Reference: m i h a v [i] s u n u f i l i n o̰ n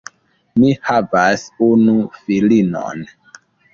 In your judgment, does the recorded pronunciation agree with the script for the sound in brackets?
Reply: no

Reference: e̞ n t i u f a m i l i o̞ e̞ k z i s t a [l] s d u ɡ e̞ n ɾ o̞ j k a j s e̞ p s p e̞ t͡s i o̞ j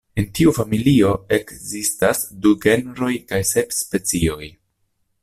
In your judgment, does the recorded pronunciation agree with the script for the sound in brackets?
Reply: no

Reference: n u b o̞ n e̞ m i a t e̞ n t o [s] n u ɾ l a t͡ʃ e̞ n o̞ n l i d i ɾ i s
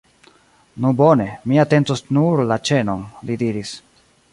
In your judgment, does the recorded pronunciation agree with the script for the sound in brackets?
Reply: yes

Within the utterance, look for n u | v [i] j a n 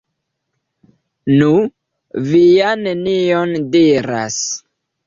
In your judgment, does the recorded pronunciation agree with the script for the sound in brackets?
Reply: yes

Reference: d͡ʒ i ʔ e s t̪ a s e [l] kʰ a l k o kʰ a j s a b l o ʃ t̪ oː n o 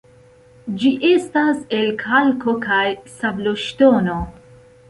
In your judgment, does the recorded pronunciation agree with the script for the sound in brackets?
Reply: yes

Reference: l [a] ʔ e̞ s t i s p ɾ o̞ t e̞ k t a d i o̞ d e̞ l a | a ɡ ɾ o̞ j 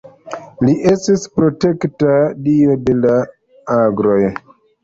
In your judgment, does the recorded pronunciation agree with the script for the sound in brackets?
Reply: no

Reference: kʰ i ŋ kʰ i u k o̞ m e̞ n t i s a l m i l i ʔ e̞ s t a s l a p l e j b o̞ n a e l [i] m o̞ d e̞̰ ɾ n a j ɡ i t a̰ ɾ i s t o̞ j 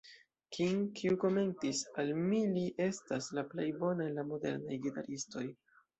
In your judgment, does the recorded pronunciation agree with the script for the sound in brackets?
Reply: no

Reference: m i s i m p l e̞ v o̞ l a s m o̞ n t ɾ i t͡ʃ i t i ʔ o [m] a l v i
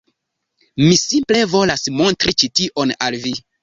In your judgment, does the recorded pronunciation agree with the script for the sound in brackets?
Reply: no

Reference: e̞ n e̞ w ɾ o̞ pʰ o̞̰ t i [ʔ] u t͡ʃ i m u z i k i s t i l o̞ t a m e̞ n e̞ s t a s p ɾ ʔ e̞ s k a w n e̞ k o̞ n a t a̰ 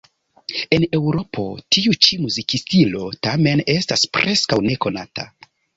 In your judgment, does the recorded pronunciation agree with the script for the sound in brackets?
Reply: no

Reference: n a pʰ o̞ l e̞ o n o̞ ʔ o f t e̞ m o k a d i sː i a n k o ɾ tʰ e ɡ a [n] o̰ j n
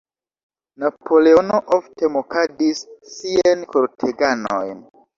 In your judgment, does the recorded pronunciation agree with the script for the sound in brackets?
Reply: yes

